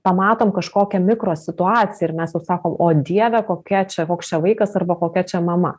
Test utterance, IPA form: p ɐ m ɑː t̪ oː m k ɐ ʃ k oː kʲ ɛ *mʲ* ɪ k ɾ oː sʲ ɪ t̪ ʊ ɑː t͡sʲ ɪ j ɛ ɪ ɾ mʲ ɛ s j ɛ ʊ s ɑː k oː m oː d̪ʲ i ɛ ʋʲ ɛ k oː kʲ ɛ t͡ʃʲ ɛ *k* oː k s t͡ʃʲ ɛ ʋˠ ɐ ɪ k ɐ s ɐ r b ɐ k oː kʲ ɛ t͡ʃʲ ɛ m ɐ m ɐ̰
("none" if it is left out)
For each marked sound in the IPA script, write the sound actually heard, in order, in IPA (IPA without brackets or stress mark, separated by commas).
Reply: mʲ, k